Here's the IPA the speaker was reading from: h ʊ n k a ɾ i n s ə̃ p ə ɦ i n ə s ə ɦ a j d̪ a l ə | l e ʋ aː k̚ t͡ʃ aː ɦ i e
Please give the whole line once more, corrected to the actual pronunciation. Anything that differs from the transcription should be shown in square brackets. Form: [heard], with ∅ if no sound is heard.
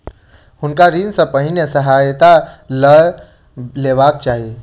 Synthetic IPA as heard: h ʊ n k a ɾ i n s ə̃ p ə ɦ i n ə s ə ɦ a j [t̪] a l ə | l e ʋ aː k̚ t͡ʃ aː ɦ i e